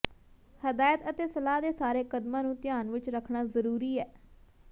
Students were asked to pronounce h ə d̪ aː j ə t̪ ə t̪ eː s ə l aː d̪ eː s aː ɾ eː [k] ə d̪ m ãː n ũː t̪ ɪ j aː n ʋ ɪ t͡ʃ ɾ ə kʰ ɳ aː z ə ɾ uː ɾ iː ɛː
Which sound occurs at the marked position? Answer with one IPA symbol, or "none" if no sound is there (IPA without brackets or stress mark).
k